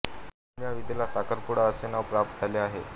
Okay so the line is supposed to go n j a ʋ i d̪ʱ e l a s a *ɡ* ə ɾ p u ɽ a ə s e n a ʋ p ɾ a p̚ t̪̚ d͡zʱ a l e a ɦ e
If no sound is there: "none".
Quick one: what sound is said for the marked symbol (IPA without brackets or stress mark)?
k